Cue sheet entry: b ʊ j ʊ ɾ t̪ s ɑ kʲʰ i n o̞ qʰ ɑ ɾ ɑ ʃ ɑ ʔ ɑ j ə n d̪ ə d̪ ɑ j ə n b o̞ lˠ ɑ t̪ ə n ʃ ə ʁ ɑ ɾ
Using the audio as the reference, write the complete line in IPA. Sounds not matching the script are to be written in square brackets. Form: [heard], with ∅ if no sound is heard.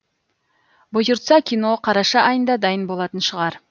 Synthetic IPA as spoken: b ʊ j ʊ ɾ t̪ s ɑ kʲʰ i n o̞ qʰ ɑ ɾ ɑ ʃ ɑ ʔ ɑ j ə n d̪ [ɑ] d̪ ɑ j ə n b o̞ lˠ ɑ t̪ ə n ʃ ə ʁ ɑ ɾ